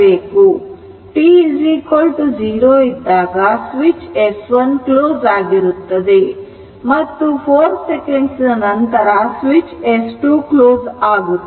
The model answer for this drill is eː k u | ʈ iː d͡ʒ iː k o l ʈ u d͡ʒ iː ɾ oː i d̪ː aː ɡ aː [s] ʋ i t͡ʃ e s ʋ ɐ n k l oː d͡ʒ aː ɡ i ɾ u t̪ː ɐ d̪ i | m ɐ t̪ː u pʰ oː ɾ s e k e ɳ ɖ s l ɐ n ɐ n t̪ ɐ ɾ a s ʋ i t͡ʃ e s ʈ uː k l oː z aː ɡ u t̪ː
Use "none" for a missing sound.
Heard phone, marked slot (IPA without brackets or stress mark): s